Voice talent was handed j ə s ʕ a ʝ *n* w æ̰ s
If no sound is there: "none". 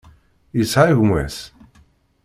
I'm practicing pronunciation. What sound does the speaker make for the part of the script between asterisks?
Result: m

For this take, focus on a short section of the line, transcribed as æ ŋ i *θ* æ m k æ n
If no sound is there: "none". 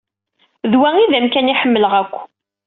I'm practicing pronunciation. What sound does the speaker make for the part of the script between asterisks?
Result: ð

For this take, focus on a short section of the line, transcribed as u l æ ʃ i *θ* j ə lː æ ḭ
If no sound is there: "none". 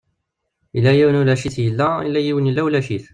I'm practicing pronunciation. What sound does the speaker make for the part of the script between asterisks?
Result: θ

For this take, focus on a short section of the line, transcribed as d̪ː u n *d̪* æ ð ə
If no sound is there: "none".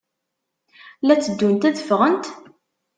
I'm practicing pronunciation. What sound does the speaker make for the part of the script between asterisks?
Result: t̪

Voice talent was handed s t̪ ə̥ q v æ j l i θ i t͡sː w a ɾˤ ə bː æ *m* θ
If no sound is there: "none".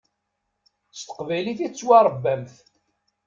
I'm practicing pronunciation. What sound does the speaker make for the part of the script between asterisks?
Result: m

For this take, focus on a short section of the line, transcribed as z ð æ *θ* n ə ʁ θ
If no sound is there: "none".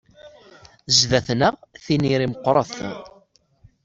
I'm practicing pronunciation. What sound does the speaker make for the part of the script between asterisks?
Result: θ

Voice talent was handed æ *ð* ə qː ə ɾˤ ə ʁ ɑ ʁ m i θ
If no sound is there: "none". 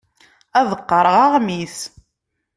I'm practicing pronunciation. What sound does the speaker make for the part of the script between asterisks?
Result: ð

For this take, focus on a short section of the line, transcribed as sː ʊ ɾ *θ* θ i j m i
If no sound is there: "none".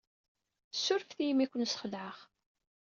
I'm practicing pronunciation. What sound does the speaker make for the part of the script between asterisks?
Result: f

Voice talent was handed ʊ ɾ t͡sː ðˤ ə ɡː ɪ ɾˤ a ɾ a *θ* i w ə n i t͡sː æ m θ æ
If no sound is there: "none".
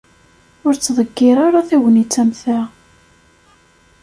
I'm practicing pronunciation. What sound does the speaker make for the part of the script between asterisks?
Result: θ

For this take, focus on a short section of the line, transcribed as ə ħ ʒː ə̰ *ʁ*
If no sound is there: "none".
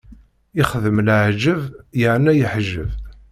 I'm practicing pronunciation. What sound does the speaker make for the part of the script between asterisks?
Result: v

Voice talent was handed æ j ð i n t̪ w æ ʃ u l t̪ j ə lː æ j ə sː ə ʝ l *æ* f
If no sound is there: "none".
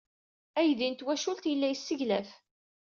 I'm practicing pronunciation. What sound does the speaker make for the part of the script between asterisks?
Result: æ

